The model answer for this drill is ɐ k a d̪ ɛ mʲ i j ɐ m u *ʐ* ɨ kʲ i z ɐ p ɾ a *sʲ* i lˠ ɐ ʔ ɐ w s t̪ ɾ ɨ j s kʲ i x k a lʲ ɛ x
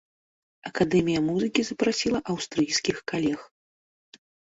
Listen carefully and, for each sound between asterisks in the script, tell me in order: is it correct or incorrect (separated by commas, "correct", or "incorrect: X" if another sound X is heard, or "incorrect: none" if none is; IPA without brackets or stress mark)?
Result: incorrect: z, correct